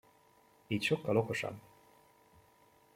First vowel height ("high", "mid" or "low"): high